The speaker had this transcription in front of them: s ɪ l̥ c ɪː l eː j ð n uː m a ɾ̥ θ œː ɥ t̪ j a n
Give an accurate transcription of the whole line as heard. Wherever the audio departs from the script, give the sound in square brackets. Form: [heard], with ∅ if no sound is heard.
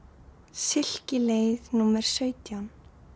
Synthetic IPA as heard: s ɪ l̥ c [ɪ] l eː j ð n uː m [ɛ] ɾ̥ [s] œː ɥ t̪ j a n